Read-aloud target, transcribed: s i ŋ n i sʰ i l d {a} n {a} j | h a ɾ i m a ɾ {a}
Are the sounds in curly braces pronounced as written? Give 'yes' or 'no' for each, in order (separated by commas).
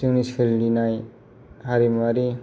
no, yes, no